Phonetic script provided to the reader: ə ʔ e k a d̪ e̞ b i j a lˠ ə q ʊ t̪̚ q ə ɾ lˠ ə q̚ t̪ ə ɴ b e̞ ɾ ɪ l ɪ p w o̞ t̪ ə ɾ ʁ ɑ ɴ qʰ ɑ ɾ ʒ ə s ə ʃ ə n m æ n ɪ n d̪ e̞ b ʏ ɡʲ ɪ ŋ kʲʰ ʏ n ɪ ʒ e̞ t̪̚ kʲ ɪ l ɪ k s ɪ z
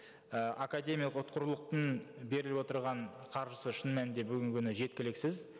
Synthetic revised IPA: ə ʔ a k a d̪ e̞ m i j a lˠ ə q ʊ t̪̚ q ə ɾ lˠ ə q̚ t̪ ə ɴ b e̞ ɾ ɪ l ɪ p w o̞ t̪ ə ɾ ʁ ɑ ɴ qʰ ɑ ɾ ʒ ə s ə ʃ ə n m æ n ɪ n d̪ e̞ b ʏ ɡʲ ɪ ŋ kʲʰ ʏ n ɪ ʒ e̞ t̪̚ kʲ ɪ l ɪ k s ɪ z